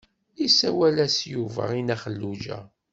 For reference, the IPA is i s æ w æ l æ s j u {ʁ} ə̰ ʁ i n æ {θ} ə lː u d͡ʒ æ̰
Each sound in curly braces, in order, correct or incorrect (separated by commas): incorrect, incorrect